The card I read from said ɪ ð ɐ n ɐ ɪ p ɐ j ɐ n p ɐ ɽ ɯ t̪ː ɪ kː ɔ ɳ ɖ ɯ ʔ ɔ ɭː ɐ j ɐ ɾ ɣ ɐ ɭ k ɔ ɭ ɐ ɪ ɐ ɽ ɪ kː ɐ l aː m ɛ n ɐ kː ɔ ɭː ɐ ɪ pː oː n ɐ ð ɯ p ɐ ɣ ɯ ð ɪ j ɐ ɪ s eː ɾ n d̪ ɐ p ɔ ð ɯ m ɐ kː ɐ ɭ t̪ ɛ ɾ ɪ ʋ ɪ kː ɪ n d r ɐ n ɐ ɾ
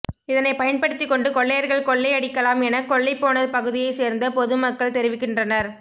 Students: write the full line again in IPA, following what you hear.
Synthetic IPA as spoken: ɪ ð ɐ n ɐ ɪ p ɐ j ɐ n p ɐ ɽ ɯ t̪ː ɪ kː ɔ ɳ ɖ ɯ k ɔ ɭː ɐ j ɐ ɾ ɣ ɐ ɭ k ɔ ɭː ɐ ɪ ɐ ɽ ɪ kː ɐ l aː m ɛ n ɐ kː ɔ ɭː ɐ ɪ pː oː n ɐ ð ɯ p ɐ ɣ ɯ ð ɪ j ɐ ɪ s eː ɾ n d̪ ɐ p ɔ ð ɯ m ɐ kː ɐ ɭ t̪ ɛ ɾ ɪ ʋ ɪ kː ɪ n d r ɐ n ɐ ɾ